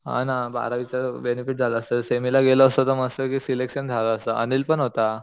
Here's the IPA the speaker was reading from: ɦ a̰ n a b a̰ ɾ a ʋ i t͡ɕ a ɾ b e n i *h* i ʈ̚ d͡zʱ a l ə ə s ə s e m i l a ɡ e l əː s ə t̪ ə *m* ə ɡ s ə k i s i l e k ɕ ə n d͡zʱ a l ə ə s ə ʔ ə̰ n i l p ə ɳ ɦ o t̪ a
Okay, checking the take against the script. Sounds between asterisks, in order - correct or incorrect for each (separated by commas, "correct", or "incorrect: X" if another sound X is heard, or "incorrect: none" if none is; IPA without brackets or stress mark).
incorrect: f, correct